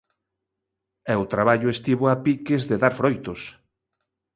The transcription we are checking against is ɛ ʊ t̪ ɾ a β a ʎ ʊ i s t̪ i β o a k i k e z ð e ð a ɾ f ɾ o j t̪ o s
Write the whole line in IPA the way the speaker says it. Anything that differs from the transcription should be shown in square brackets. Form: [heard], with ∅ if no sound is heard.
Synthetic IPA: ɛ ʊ t̪ ɾ a β a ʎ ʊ [e] s t̪ i β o a [p] i k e z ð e ð a ɾ f ɾ o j t̪ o s